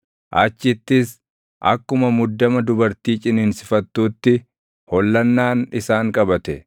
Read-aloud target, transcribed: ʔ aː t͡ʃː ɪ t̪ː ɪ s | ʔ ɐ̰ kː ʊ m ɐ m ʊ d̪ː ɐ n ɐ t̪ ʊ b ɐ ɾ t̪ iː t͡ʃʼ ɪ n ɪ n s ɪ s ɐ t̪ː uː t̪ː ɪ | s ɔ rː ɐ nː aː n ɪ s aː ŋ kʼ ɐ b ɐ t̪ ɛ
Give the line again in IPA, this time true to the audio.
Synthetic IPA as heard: ʔ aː t͡ʃː ɪ t̪ː ɪ s | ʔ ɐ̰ kː ʊ m ɐ m ʊ d̪ː ɐ m ɐ d̪ ʊ b ɐ ɾ t̪ iː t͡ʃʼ ɪ n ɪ n s ɪ f ɐ t̪ː uː t̪ː ɪ | h ɔ lː ɐ nː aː n ɪ s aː ŋ kʼ ɐ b ɐ t̪ ɛ